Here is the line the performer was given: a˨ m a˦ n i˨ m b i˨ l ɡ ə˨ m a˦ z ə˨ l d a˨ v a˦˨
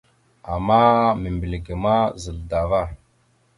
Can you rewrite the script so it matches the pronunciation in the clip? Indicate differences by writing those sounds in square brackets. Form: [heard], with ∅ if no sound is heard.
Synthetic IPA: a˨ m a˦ [m] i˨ m b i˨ l ɡ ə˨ m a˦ z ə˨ l d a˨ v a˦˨